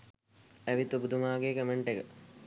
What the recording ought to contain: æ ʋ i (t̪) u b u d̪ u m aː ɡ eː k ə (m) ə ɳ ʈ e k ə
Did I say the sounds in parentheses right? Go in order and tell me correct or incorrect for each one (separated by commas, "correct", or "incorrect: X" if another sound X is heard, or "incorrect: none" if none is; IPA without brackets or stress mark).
correct, correct